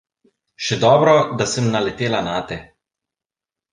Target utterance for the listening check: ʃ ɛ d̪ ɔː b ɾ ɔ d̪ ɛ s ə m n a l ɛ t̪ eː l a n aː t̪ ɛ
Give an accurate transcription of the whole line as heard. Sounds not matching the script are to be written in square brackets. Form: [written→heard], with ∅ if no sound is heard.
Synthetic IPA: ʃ ɛ d̪ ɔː b ɾ ɔ d̪ [ɛ→a] s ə m n a l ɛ t̪ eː l a n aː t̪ ɛ